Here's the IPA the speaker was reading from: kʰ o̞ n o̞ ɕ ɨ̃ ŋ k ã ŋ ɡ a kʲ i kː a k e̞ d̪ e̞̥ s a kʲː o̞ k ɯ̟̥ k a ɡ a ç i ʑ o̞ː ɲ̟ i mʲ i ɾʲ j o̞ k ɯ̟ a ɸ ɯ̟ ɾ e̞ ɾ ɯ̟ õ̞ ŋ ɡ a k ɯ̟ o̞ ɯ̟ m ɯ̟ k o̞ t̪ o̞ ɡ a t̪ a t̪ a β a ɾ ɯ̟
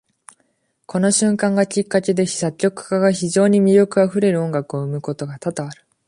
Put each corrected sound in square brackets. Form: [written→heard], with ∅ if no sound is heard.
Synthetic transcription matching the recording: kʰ o̞ n o̞ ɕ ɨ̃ ŋ k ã ŋ ɡ a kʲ i kː a k e̞ d̪ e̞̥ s a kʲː o̞ k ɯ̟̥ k a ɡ a ç i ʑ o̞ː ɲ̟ i mʲ i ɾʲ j o̞ k ɯ̟ a ɸ ɯ̟ ɾ e̞ ɾ ɯ̟ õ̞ ŋ ɡ a k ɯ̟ o̞ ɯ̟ m ɯ̟ k o̞ t̪ o̞ ɡ a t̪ a t̪ a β a ɾ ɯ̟